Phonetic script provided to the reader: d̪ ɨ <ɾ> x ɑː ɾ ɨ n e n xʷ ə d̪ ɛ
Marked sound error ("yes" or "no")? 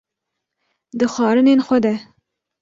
yes